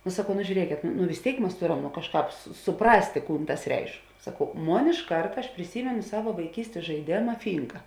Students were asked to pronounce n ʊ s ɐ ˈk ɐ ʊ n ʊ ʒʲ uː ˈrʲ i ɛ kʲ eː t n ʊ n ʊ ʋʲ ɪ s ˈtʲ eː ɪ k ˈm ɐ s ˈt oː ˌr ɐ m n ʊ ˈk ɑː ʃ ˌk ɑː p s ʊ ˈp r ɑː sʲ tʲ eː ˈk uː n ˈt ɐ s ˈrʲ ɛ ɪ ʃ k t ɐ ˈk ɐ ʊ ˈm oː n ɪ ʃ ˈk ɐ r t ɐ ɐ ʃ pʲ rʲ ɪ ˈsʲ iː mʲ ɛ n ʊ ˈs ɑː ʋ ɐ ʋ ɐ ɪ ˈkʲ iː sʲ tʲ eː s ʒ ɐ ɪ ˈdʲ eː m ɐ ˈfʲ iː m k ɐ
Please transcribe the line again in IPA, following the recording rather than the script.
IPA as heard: n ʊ s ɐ ˈk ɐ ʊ n ʊ ʒʲ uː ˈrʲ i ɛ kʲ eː t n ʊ n ʊ ʋʲ ɪ s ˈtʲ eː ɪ k ˈm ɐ s ˈt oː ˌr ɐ m n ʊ ˈk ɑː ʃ ˌk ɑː p s ʊ ˈp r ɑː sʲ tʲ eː ˈk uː n ˈt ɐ s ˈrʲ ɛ ɪ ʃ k s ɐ ˈk ɐ ʊ ˈm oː n ɪ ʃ ˈk ɐ r t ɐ ɐ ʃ pʲ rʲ ɪ ˈsʲ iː mʲ ɛ n ʊ ˈs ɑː ʋ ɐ ʋ ɐ ɪ ˈkʲ iː sʲ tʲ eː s ʒ ɐ ɪ ˈdʲ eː m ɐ ˈfʲ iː ŋ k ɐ